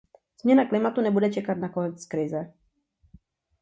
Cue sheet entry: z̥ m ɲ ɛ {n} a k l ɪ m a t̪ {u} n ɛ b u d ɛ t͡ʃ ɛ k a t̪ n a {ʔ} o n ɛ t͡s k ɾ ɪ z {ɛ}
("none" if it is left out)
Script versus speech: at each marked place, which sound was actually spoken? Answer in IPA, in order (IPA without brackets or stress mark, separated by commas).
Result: n, u, k, ɛ